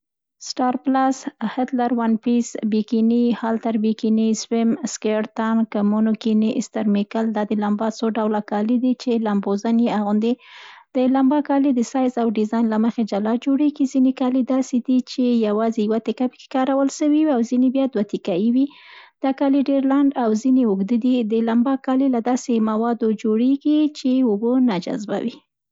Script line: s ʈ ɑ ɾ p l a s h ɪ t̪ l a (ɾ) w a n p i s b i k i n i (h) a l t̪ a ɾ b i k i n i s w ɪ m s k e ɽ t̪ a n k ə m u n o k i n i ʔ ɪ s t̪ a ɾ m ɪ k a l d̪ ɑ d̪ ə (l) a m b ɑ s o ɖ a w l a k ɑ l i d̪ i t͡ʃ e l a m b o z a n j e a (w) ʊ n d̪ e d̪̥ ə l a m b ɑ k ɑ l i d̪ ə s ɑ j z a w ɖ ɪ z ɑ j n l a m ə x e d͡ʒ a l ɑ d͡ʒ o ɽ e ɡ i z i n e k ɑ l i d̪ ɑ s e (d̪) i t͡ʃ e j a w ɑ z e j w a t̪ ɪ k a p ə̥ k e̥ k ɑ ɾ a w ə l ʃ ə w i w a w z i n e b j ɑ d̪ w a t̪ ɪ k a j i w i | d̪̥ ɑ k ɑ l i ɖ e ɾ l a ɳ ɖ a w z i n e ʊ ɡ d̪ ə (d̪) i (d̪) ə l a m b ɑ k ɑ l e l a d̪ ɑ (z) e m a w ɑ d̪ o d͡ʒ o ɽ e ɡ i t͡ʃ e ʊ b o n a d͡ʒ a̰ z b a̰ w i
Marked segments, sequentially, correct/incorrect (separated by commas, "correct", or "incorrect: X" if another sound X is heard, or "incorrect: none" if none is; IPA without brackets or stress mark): correct, correct, correct, incorrect: ɣ, correct, correct, correct, incorrect: s